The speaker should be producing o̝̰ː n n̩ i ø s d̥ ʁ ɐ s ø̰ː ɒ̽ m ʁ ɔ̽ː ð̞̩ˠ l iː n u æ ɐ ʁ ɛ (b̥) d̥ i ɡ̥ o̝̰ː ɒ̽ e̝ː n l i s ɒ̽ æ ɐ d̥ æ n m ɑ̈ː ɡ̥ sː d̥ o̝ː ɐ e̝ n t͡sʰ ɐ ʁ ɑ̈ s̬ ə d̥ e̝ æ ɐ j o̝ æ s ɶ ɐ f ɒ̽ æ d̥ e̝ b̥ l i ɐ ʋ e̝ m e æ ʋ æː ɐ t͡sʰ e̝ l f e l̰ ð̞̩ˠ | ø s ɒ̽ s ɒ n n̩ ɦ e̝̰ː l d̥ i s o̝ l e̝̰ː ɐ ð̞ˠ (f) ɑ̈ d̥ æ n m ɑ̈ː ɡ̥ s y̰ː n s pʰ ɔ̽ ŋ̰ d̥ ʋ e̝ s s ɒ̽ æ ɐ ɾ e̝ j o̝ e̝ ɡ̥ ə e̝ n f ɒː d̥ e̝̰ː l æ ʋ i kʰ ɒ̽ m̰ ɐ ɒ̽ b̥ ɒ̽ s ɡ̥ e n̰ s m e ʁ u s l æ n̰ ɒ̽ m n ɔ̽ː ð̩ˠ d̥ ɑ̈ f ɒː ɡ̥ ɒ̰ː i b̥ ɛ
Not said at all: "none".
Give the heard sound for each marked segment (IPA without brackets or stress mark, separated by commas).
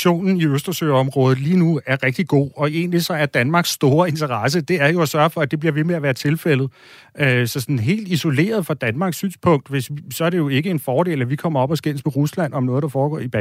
ɡ̥, f